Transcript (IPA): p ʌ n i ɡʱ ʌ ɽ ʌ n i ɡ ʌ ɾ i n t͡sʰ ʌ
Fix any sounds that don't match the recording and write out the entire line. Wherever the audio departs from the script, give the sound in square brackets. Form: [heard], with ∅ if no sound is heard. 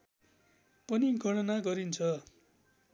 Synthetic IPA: p ʌ n i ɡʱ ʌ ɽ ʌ n [a] ɡ ʌ ɾ i n t͡sʰ ʌ